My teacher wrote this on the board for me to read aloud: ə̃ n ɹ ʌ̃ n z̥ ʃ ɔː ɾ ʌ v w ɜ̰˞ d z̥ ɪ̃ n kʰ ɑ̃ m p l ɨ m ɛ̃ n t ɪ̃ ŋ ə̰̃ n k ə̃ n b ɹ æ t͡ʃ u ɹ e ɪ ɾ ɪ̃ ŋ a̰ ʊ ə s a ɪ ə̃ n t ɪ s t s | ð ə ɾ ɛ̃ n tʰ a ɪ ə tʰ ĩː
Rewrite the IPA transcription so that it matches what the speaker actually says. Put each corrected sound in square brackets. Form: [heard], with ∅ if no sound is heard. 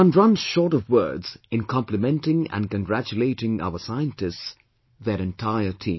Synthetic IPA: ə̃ n ɹ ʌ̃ n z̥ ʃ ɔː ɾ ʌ v w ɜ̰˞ d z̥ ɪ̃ n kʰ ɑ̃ m p l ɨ m ɛ̃ n t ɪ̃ ŋ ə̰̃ n k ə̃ n [ɡ] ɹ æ t͡ʃ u [l] e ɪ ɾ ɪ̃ ŋ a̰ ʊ ə s a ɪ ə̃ n t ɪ s t s | ð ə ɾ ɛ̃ n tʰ a ɪ ə tʰ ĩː